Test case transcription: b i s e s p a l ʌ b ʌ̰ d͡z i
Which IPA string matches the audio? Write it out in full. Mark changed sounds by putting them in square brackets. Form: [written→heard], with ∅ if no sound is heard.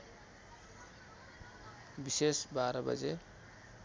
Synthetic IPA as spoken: b i s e s [p→b] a [l→ɾ] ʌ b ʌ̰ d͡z [i→e]

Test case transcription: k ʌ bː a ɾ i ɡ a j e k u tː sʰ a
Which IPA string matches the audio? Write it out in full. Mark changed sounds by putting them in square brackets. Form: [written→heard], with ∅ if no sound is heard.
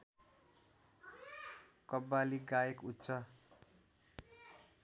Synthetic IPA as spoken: k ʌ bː a [ɾ→l] i ɡ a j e k u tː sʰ [a→ʌ]

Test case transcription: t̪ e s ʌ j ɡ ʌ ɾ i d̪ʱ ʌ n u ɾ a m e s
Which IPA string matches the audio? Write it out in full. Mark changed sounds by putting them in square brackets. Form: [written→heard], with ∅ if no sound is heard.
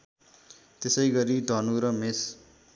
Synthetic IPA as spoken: t̪ e s ʌ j ɡ ʌ ɾ i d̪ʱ ʌ n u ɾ [a→ʌ] m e s

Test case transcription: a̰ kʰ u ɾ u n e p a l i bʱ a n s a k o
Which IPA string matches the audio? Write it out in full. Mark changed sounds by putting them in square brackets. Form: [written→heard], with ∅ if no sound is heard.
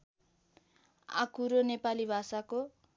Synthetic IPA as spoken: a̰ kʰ u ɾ [u→o] n e p a l i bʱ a [n→∅] s a k o

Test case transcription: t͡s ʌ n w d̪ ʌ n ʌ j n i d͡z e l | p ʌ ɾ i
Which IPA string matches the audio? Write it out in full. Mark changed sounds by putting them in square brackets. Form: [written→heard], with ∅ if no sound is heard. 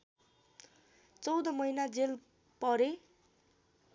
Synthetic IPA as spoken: t͡s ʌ [n→∅] w d̪ ʌ [n→m] ʌ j n [i→a] d͡z e l | p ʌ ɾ [i→e]

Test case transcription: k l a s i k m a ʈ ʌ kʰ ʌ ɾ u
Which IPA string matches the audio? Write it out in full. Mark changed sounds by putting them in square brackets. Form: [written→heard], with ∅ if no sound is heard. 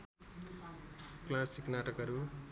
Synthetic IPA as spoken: k l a s i k [m→n] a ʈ ʌ [kʰ→k] ʌ ɾ u

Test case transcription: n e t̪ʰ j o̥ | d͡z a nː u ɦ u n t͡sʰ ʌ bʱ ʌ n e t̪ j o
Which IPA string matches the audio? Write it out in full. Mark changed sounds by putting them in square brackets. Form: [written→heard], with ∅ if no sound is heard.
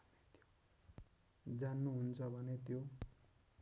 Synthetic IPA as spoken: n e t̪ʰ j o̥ | d͡z a nː u ɦ u n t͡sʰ ʌ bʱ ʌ n e t̪ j o

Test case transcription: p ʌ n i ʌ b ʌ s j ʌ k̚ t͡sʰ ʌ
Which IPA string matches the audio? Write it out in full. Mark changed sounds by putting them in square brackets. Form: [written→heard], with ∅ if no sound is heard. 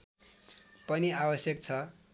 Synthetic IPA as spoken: p ʌ n i [ʌ→a] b ʌ s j ʌ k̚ t͡sʰ ʌ

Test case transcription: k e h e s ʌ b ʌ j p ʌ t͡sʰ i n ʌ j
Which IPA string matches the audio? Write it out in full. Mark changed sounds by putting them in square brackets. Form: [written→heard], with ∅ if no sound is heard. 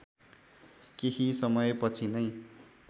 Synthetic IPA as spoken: k e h [e→i] s ʌ [b→m] ʌ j p ʌ t͡sʰ i n ʌ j

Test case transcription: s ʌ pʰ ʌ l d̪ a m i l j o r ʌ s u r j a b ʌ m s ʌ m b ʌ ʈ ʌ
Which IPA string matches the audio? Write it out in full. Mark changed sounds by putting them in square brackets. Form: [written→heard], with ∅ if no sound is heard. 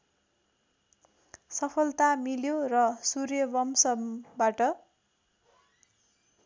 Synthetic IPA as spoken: s ʌ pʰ ʌ l [d̪→t̪] a m i l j o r ʌ s u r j [a→ʌ] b ʌ m s ʌ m b [ʌ→a] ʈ ʌ

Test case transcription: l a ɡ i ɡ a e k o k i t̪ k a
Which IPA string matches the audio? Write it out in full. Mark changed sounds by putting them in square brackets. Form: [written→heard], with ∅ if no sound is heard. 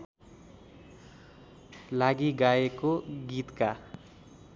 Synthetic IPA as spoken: l a ɡ i ɡ a e k o [k→ɡ] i t̪ k a

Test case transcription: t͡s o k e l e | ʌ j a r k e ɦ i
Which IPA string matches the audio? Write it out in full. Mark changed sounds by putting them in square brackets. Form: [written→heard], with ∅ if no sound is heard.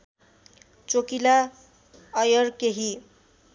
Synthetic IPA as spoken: t͡s o k [e→i] l [e→a] | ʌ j [a→ʌ] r k e ɦ i

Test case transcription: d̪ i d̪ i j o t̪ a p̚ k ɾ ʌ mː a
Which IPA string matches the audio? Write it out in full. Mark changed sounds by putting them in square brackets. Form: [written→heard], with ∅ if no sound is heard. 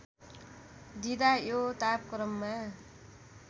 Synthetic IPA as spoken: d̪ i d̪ [i→a] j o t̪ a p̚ k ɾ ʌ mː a

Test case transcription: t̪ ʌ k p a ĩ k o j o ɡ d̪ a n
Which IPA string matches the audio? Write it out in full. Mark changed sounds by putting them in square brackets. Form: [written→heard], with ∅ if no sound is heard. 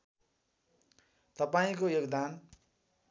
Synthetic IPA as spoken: t̪ ʌ [k→∅] p a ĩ k o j o ɡ d̪ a n

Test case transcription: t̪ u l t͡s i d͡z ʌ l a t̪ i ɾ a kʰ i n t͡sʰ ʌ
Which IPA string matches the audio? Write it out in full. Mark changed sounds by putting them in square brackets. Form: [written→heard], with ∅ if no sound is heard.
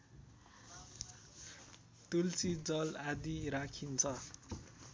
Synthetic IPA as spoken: t̪ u l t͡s i d͡z ʌ l a [t̪→d̪] i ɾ a kʰ i n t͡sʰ ʌ

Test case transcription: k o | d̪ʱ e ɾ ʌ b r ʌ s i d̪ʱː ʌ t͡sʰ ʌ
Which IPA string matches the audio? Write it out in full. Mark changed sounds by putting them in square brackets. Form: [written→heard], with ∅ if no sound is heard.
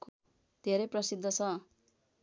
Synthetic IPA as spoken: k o | d̪ʱ e ɾ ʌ [b→p] r ʌ s i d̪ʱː ʌ t͡sʰ ʌ

